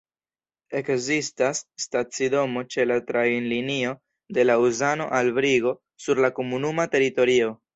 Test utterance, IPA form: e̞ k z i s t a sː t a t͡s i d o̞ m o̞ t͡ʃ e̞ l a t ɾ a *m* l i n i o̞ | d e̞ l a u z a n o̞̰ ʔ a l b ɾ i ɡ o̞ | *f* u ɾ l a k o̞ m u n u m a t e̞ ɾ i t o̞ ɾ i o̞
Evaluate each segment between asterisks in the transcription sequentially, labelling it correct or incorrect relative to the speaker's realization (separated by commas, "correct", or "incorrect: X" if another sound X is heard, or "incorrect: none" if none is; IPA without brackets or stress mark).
incorrect: n, incorrect: s